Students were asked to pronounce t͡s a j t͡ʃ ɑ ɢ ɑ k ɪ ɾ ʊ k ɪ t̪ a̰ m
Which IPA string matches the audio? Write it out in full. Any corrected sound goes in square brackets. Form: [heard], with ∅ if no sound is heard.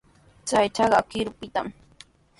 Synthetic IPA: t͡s a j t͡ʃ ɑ ɢ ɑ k ɪ ɾ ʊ [p] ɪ t̪ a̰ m